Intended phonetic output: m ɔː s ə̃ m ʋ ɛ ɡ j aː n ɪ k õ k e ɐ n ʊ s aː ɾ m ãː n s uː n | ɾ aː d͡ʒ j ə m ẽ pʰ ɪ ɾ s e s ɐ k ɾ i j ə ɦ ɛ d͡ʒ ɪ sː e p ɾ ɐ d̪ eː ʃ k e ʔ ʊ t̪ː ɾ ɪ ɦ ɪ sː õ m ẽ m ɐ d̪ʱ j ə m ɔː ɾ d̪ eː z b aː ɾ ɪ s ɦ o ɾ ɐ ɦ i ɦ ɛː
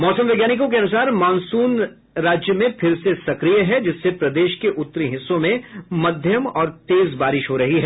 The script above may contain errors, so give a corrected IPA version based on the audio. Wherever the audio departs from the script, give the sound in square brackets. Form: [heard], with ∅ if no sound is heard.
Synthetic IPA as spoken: m ɔː s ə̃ m ʋ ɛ ɡ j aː n ɪ k õ k e ɐ n ʊ s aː ɾ m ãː n s uː n | ɾ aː d͡ʒ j ə m ẽ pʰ ɪ ɾ s e s ɐ k ɾ i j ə ɦ ɛ d͡ʒ ɪ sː e p ɾ ɐ d̪ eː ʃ k e ʔ ʊ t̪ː ɾ [i] ɦ ɪ sː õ m ẽ m ɐ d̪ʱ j ə m ɔː ɾ [t̪] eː z b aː ɾ ɪ [ʃ] ɦ o ɾ ɐ ɦ i ɦ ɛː